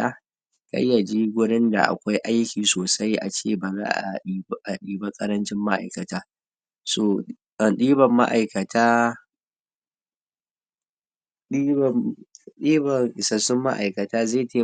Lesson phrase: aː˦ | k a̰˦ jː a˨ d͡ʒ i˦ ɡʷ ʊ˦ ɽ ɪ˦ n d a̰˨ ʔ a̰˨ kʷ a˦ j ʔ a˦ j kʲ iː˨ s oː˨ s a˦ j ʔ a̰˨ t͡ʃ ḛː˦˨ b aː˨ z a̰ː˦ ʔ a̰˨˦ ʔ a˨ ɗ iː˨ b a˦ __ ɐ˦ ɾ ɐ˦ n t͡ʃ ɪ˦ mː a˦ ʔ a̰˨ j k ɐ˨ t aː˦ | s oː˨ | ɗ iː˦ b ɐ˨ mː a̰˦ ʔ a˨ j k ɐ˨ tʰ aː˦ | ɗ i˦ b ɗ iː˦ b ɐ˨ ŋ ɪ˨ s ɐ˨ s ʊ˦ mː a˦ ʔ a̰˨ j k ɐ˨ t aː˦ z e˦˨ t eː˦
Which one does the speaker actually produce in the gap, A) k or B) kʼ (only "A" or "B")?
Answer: B